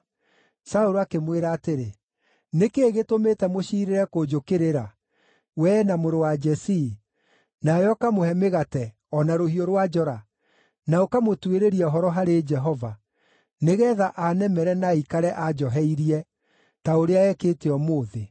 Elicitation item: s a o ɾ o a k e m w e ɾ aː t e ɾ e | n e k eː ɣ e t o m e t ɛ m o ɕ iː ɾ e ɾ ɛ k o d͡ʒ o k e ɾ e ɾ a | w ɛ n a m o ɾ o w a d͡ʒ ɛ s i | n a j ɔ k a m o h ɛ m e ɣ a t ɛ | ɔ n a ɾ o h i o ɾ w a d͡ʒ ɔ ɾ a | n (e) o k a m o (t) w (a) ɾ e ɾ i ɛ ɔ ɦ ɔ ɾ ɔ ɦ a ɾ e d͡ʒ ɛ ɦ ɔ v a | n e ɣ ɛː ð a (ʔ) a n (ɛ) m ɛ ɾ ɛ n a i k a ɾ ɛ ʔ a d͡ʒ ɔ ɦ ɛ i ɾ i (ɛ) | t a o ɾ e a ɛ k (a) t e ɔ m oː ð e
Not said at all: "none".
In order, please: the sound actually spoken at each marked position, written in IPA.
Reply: a, t, e, ʔ, ɛ, ɛ, e

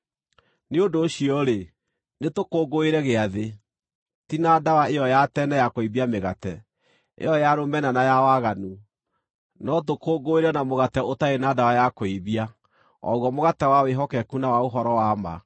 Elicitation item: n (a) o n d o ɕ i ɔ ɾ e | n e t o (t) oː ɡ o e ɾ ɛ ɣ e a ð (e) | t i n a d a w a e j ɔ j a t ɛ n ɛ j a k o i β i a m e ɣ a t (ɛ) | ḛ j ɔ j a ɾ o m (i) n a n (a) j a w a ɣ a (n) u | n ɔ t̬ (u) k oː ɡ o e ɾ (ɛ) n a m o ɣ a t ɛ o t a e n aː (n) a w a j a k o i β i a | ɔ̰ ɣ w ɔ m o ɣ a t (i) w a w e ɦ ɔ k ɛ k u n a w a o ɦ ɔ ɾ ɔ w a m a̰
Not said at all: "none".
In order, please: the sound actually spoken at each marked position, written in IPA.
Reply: e, k, e, ɛ, ɛ, a, n, o, ɛ, d, ɛ

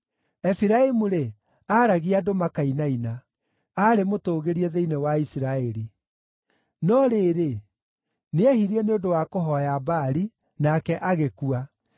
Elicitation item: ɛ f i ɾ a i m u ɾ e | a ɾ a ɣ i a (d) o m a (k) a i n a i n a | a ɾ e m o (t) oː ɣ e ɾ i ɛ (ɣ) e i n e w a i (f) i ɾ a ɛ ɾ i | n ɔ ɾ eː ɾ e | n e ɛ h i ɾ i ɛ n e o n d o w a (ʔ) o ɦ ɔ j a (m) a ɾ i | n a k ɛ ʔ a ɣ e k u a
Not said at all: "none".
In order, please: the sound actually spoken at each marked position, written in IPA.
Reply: d, k, t, ð, s, k, b

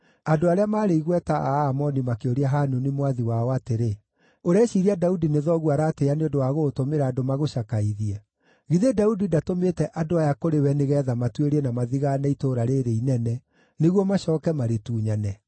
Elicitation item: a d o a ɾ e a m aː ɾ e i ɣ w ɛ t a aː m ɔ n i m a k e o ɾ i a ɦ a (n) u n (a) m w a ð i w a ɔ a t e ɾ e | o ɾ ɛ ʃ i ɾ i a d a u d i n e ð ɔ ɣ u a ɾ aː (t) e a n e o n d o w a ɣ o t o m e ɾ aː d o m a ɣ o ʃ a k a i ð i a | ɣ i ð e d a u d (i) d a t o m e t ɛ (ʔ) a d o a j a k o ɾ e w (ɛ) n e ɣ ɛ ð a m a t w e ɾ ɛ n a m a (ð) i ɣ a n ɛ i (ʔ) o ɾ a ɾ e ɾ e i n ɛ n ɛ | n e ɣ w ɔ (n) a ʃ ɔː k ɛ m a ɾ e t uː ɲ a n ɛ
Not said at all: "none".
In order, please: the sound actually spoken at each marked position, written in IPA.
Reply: n, i, t, i, ʔ, ɛ, ð, t, m

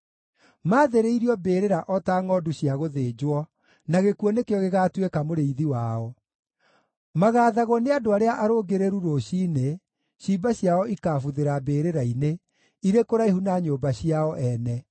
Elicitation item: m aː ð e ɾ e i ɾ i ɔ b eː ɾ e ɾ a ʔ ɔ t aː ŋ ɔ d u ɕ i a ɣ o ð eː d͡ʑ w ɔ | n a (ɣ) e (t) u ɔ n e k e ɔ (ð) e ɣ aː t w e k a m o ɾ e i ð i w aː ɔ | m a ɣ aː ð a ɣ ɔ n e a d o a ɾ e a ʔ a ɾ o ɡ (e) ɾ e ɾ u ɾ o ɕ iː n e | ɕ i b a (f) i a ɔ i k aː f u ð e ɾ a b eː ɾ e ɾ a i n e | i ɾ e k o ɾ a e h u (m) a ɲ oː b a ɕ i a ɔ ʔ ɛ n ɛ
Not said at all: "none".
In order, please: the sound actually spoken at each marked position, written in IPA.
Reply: ɣ, k, ɣ, e, ɕ, n

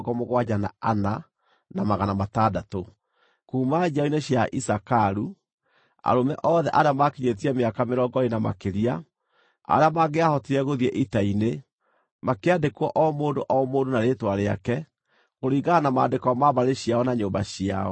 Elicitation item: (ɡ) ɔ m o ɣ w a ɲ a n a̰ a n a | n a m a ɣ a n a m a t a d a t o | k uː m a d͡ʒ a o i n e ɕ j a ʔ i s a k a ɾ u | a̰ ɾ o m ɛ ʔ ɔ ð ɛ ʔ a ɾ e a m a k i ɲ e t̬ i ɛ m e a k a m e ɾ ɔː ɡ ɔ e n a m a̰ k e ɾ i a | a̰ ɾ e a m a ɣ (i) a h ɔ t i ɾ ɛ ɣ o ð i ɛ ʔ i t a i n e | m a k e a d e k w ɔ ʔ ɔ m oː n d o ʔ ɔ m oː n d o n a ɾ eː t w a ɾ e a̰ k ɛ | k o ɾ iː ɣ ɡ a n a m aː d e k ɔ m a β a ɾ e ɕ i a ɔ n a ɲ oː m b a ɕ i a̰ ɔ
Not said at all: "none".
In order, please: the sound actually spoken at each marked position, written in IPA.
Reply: ɡ, e

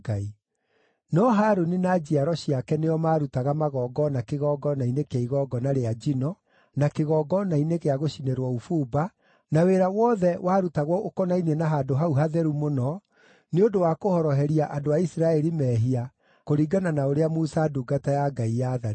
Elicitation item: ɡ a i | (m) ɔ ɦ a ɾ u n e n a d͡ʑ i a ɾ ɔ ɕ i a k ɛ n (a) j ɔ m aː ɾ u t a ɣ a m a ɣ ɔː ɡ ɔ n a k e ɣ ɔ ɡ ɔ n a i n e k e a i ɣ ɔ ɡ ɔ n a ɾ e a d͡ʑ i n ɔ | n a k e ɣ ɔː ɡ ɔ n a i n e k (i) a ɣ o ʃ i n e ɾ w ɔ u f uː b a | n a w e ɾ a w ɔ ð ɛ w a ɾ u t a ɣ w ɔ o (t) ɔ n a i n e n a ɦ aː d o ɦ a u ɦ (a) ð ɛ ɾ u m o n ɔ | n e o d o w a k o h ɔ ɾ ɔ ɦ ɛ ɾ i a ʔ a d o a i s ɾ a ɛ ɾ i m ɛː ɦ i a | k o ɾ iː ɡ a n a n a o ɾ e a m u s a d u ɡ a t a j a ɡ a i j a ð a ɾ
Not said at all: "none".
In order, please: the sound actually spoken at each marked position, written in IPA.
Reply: n, e, e, k, a

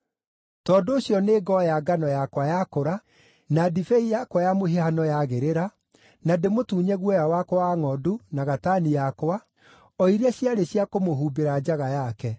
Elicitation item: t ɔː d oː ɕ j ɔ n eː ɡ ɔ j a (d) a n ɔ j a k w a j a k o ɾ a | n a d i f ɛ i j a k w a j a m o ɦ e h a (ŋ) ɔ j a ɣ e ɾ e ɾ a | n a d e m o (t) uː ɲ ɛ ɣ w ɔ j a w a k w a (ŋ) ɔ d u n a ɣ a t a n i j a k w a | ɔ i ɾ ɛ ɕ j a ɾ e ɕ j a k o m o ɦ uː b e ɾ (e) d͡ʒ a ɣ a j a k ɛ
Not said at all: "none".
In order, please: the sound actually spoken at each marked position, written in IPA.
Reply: ɡ, n, t, ŋ, a

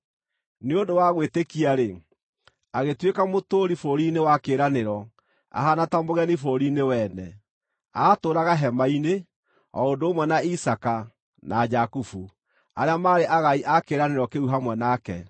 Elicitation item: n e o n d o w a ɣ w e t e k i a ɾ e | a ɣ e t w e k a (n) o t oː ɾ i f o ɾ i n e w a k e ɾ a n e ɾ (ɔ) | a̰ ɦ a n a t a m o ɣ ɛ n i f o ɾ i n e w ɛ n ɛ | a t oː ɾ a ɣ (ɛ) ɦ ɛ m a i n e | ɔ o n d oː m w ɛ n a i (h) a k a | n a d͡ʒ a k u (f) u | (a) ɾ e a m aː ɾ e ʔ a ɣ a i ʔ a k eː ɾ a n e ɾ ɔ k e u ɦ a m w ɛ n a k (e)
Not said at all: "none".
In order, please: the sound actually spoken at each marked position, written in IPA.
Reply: m, ɔ, a, s, f, a, ɛ

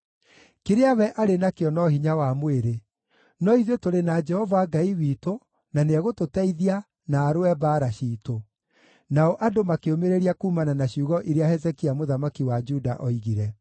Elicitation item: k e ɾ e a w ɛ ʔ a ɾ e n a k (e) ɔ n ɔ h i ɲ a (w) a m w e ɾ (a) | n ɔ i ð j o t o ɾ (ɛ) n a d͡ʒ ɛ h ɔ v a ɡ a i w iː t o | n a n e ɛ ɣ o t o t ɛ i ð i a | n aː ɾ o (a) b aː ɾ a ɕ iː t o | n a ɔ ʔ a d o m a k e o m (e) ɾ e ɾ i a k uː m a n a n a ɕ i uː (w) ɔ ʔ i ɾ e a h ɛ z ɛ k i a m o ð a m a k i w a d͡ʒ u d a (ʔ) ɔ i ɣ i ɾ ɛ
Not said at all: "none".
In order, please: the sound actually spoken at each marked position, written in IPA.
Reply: e, w, e, e, ɛ, e, ɣ, ʔ

